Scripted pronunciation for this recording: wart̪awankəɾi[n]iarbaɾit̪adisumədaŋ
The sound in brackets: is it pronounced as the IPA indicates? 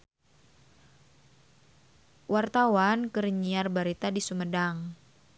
no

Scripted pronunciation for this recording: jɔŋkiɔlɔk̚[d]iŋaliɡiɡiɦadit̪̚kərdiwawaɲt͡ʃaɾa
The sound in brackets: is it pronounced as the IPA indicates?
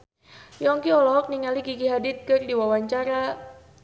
no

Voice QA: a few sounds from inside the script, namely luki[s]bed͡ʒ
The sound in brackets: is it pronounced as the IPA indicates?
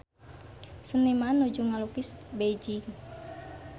yes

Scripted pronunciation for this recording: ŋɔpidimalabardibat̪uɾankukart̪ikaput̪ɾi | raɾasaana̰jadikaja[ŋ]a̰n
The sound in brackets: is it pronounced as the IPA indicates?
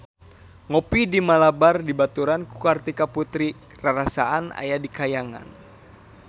yes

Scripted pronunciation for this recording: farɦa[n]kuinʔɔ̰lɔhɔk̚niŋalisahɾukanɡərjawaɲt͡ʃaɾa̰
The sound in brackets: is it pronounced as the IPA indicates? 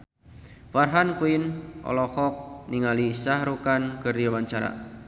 yes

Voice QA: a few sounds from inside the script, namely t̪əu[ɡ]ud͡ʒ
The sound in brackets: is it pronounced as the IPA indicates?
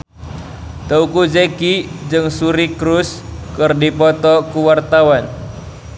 no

